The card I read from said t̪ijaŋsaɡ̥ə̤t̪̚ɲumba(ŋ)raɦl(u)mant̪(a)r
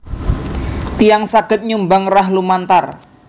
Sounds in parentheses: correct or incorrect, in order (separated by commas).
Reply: correct, correct, correct